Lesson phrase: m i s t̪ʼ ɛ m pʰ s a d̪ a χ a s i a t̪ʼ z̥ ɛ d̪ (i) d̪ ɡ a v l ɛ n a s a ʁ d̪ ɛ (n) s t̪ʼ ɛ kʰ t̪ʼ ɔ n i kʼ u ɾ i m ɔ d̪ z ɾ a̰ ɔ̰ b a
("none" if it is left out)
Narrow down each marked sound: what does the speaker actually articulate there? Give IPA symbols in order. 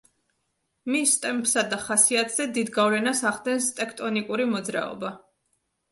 i, n

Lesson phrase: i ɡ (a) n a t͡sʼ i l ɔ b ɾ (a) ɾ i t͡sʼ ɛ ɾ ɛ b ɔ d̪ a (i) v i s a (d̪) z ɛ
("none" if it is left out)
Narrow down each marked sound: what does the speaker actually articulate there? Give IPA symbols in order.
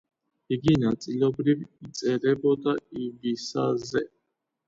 i, i, i, none

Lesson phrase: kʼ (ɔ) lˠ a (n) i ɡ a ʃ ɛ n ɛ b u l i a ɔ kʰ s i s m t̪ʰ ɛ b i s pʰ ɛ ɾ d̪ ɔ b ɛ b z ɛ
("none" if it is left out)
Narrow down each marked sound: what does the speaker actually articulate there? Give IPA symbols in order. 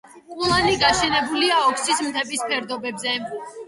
u, n

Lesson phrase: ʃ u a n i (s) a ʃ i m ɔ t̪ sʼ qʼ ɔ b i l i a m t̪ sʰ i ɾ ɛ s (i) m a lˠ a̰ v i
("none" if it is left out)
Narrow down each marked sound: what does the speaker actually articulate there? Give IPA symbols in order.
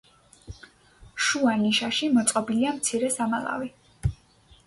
ʃ, a

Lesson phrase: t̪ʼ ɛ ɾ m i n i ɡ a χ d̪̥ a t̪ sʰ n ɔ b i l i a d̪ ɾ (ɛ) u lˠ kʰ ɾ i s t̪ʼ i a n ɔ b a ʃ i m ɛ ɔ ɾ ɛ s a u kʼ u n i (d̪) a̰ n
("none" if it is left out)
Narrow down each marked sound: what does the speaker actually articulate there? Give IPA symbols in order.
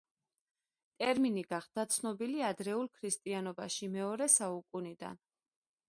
ɛ, d̪

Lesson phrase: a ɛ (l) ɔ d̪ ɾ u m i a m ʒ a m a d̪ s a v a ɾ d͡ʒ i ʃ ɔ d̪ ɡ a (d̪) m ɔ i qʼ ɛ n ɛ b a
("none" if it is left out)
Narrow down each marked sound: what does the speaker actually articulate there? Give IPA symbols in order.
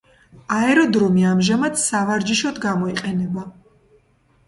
ɾ, none

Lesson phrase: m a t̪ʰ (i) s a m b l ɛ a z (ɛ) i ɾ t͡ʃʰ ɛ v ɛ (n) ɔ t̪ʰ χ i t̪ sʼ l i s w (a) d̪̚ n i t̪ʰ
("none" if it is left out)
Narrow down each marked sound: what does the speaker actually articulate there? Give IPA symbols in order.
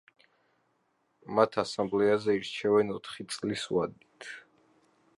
a, ɛ, n, a

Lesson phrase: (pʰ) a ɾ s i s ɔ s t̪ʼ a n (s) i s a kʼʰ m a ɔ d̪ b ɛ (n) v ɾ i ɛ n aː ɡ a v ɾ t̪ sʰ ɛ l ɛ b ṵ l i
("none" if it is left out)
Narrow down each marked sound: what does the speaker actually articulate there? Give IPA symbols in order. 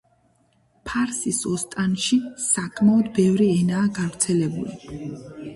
pʰ, ʃ, none

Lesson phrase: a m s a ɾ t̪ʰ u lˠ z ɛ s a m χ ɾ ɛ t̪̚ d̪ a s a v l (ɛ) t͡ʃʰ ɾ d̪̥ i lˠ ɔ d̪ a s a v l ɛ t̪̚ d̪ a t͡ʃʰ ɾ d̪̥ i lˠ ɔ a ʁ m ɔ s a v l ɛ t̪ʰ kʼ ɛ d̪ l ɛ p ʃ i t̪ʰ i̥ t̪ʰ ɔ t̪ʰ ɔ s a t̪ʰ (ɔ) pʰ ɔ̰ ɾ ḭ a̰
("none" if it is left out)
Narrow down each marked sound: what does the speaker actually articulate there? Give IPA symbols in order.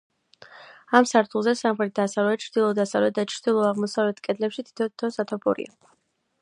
ɛ, ɔ

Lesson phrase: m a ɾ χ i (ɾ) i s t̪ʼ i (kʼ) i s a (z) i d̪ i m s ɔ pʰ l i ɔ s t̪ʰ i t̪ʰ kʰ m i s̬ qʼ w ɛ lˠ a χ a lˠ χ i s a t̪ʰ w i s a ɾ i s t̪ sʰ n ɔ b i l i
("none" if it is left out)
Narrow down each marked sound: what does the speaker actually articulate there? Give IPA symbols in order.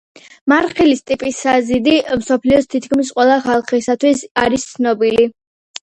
l, pʼ, z

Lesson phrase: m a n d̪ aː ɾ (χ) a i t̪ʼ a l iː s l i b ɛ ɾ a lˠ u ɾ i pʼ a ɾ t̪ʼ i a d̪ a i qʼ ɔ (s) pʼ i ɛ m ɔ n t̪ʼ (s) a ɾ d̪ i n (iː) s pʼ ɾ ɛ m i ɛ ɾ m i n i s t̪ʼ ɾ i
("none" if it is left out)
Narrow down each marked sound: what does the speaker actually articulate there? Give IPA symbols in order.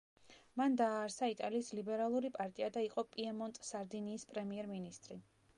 s, none, s, iː

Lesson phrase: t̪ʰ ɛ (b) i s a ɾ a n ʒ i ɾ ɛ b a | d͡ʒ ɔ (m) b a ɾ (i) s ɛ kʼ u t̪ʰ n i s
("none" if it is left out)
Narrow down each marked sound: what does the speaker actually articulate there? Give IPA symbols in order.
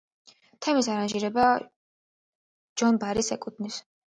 m, n, i

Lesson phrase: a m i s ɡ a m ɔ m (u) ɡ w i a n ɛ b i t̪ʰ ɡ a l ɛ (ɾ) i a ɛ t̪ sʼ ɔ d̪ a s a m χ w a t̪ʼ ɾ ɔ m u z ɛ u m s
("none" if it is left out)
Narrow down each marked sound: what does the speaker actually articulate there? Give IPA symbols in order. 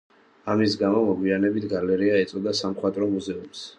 ɔ, ɾ

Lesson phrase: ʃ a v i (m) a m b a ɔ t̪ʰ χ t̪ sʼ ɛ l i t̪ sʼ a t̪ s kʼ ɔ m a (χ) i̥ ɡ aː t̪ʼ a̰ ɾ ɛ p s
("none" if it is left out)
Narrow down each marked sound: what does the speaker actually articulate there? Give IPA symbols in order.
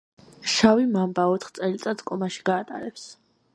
m, ʃ

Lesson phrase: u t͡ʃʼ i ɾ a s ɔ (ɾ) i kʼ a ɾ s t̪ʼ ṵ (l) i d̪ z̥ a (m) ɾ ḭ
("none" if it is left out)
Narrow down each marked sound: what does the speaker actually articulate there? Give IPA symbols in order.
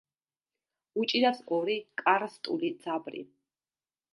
ɾ, l, b

